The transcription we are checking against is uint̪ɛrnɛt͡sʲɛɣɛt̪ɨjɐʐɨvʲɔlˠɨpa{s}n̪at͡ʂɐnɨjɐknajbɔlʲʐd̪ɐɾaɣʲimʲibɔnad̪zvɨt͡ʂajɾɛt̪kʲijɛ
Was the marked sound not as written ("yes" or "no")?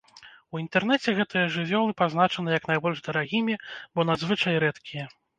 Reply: yes